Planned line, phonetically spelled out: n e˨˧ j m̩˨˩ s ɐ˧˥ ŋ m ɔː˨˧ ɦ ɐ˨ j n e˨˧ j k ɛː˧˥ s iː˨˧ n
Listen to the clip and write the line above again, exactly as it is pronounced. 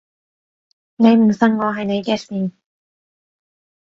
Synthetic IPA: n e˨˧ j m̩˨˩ s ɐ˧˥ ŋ ŋ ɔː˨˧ ɦ ɐ˨ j n e˨˧ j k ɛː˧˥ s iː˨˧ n